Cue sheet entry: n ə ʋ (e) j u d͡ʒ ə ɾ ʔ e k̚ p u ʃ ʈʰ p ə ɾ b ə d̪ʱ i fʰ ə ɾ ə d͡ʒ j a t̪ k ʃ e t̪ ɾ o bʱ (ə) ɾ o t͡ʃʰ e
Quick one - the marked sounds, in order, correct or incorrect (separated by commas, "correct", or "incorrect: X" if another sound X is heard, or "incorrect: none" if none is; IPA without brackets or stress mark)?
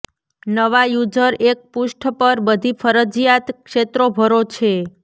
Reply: incorrect: a, correct